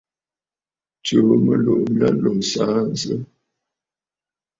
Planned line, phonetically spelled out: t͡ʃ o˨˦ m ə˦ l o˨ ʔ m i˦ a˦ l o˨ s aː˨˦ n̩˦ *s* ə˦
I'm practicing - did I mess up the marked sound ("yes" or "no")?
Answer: yes